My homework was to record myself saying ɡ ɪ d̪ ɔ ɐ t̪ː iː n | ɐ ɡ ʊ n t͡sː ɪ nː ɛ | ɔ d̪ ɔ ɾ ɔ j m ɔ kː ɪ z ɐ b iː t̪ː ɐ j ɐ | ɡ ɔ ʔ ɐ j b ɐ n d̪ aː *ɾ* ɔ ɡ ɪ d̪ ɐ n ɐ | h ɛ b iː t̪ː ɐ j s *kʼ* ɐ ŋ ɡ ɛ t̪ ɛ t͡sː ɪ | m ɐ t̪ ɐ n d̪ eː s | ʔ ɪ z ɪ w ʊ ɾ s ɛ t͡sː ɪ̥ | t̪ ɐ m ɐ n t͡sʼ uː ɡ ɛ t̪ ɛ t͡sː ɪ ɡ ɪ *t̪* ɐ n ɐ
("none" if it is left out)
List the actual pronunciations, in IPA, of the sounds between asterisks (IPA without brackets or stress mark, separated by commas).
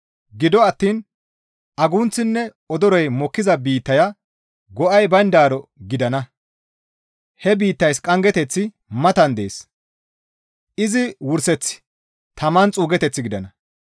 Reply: ɾ, kʼ, d̪